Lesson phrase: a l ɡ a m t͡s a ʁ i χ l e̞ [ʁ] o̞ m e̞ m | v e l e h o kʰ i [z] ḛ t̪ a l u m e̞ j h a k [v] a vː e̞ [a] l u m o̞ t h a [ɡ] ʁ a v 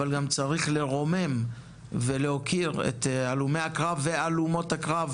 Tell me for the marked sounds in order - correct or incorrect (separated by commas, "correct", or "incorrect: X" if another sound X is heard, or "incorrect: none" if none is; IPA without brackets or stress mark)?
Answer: correct, incorrect: ʁ, incorrect: ʁ, correct, incorrect: k